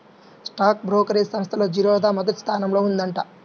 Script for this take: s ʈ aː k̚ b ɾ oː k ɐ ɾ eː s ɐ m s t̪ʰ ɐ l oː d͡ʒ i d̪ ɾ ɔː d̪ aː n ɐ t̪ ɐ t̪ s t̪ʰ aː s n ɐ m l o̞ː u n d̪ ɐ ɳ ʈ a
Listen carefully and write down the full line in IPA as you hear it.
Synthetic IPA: s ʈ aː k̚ b ɾ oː k ɐ ɾ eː s ɐ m s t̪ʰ ɐ l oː d͡ʒ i ɾ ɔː d̪ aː m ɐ d̪ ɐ t̪ s t̪ʰ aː n ɐ m l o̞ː u n d̪ ɐ ɳ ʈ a